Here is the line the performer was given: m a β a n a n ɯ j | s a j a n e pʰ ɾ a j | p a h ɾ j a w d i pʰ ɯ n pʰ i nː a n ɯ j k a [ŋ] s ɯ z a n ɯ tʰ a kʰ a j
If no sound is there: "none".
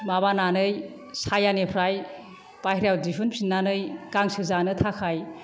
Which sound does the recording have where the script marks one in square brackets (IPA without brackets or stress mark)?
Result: ŋ